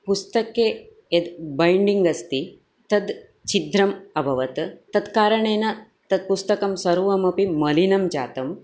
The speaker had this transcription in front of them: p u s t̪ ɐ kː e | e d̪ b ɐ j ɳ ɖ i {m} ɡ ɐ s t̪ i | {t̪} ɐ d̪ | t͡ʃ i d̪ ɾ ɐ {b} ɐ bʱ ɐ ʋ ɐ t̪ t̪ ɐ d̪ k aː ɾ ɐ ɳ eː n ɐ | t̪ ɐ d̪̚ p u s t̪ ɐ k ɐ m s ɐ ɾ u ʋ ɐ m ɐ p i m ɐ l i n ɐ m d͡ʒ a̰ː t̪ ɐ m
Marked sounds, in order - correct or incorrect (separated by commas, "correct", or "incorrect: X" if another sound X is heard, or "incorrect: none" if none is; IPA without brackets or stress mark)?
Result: incorrect: ŋ, correct, incorrect: m